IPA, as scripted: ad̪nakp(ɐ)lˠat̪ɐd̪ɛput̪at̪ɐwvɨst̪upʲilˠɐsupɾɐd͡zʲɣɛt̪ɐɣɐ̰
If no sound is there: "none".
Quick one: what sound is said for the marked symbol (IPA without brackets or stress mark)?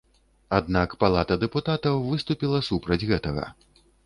a